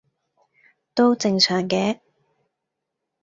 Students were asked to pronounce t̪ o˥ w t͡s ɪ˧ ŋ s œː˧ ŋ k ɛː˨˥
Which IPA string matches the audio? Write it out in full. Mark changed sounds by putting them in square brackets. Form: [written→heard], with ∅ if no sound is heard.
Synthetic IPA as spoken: t̪ o˥ w t͡s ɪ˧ ŋ s [œː˧→œː˨˩] ŋ k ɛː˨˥